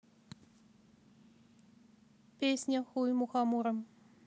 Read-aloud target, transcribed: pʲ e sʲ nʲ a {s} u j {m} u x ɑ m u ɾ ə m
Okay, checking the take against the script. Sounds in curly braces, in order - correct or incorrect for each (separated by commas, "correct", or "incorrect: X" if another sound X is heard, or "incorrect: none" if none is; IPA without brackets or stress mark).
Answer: incorrect: x, correct